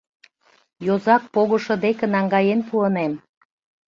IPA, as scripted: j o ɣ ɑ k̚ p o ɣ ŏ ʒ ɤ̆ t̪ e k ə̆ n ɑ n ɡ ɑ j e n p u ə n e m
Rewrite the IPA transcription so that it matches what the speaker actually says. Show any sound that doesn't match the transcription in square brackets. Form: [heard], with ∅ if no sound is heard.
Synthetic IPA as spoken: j o [z] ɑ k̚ p o ɣ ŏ [ʃ] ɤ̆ [d̪] e k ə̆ n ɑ [ŋ] ɡ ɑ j e n p u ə n e m